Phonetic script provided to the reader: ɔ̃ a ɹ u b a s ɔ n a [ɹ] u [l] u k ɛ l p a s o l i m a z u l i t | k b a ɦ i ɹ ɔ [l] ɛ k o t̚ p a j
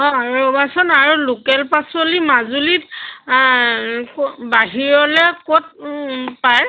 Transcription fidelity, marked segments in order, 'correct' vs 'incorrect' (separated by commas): correct, correct, correct